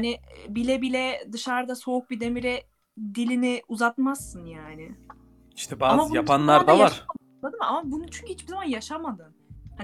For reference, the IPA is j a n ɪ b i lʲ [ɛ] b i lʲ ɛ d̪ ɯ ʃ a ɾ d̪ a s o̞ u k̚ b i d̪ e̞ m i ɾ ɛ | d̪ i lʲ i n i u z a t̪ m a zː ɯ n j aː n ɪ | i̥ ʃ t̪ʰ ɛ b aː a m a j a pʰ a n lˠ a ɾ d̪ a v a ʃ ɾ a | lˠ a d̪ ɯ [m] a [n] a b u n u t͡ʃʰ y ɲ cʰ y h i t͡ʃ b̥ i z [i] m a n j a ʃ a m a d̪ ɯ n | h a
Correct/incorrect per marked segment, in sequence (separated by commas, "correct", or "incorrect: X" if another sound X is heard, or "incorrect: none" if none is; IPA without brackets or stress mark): correct, correct, incorrect: m, incorrect: a